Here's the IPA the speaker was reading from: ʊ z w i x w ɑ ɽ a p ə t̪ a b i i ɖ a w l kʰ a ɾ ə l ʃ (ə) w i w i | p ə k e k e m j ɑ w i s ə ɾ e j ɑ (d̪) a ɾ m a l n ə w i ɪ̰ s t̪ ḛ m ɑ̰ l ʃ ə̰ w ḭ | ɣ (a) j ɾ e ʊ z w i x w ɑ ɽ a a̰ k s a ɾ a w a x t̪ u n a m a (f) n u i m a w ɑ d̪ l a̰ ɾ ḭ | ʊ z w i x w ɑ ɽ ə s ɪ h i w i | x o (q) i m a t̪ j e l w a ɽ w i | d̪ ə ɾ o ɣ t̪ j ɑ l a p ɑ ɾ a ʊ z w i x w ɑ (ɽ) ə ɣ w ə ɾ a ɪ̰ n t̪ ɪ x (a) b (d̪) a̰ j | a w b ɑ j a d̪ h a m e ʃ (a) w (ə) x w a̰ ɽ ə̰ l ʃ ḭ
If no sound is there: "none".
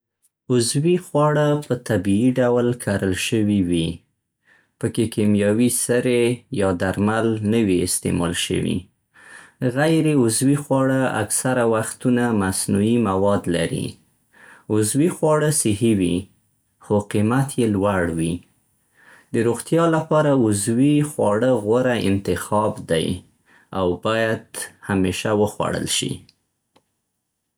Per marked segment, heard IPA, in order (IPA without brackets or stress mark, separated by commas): ə, d̪, a, s, q, ɽ, ɑ, d̪, a, ə